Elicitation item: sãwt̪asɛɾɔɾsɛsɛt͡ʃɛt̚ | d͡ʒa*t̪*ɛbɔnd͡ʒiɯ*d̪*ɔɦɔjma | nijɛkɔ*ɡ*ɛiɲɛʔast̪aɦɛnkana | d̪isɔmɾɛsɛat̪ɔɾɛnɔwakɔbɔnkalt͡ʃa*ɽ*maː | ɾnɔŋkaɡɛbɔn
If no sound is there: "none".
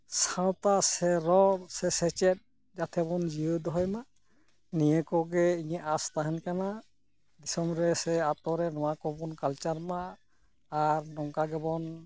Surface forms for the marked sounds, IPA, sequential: t̪ʰ, d̪, ɡ, ɾ

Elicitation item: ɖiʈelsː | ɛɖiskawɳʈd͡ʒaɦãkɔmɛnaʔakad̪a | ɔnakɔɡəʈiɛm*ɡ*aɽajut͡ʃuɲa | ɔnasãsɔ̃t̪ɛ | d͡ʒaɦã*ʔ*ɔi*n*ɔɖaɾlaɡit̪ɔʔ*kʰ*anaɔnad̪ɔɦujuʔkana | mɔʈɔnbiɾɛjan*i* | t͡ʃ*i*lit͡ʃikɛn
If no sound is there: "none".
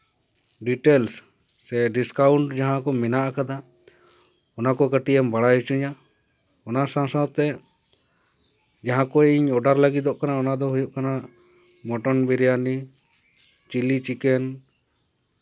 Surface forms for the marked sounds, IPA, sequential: b, k, ɲ, k, i, i

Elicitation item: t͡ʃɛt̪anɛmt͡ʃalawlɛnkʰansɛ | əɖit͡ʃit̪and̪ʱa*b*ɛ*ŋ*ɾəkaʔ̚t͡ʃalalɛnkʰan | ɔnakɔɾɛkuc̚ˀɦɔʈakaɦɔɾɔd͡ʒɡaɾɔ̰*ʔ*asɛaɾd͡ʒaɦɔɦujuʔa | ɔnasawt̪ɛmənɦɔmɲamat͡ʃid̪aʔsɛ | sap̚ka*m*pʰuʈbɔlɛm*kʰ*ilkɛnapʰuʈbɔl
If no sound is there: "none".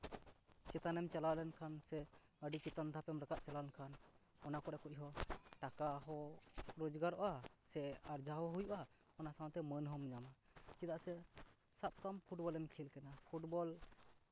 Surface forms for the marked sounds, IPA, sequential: p, m, ʔ, m, kʰ

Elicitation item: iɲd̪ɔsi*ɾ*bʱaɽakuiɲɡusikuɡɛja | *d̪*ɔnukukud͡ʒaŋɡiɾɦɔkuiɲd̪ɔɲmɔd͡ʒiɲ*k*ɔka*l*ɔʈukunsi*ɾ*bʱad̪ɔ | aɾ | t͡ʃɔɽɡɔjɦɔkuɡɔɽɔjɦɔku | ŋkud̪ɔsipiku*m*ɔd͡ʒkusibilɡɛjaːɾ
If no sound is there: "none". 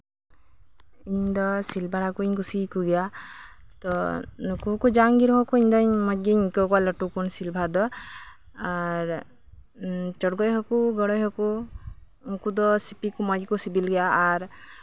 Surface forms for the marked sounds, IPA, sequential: l, t̪, k, l, l, m

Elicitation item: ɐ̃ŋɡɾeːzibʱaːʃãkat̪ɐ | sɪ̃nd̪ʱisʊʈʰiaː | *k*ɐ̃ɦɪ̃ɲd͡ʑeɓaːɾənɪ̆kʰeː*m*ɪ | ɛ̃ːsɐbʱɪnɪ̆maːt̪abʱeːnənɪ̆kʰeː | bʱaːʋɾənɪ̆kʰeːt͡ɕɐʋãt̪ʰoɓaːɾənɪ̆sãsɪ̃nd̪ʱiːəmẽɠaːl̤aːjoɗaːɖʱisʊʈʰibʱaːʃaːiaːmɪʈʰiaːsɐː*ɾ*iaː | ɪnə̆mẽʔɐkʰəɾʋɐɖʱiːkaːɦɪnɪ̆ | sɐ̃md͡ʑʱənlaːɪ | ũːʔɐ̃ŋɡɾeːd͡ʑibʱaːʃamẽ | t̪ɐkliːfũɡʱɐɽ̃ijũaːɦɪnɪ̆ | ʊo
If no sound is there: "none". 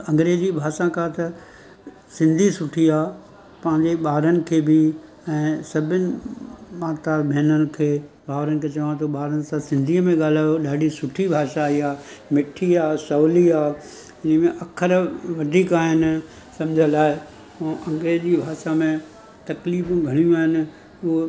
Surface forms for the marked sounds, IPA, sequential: p, b, l

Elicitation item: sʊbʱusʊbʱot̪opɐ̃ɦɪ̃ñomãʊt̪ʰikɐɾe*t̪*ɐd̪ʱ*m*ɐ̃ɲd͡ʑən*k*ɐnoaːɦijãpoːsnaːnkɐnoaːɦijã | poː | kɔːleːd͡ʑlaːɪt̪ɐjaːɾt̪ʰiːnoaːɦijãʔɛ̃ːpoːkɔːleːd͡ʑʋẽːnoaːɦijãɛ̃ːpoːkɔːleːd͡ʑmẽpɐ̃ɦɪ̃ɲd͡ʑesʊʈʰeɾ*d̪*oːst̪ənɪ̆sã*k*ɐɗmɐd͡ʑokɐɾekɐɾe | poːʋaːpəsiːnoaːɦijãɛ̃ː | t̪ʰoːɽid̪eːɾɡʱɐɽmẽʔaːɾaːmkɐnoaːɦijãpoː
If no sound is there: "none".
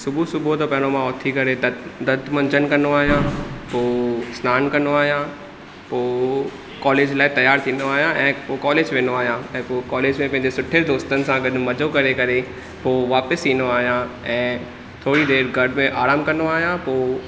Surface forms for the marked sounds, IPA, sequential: d̪, m, k, d̪, ɡ

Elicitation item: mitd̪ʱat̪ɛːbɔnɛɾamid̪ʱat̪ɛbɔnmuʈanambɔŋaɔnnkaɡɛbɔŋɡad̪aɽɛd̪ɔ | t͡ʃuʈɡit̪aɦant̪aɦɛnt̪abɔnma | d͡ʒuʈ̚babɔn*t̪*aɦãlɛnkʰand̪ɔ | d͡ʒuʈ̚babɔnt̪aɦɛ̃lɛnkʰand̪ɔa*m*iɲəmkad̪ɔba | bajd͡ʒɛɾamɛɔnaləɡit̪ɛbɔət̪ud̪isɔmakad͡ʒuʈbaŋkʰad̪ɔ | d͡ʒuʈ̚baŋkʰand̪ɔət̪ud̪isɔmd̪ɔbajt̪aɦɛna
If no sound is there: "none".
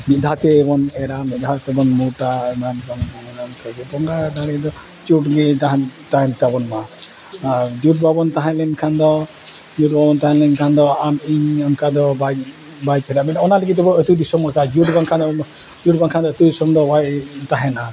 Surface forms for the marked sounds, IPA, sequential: t̪, m

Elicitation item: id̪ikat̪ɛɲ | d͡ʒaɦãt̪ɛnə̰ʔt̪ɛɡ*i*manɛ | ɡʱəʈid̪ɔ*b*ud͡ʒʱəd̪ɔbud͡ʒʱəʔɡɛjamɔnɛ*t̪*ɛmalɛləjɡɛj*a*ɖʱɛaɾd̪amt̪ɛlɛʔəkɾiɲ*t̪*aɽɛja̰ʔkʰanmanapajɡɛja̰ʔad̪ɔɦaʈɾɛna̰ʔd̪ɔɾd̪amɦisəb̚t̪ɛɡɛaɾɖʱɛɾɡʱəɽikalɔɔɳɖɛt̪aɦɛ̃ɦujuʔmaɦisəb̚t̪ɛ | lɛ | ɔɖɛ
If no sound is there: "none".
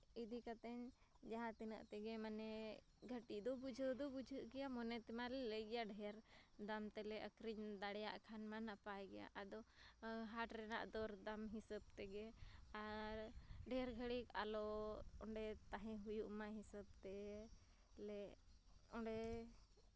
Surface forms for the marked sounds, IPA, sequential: ɛ, b, t̪, a, d̪

